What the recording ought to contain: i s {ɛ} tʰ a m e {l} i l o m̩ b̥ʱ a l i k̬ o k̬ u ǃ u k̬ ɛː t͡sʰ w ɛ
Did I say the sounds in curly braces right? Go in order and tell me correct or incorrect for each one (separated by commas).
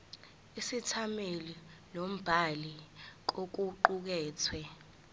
incorrect, correct